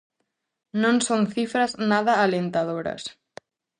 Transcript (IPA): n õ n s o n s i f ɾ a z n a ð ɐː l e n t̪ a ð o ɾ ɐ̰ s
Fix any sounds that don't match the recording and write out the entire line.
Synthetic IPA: n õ n s o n θ i f ɾ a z n a ð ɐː l e n t̪ a ð o ɾ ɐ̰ s